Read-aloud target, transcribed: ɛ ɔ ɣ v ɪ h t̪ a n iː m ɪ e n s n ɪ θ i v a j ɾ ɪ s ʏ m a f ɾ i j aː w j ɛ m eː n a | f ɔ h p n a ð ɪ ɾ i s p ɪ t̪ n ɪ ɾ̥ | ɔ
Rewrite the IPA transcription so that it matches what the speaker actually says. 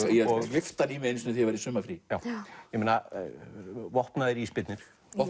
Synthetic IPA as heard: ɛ ɔ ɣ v ɪ f t̪ a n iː m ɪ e n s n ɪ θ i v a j ɾ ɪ s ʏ m a f ɾ i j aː w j ɛ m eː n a | v ɔ h p n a ð ɪ ɾ i s p ɪ t̪ n ɪ ɾ̥ | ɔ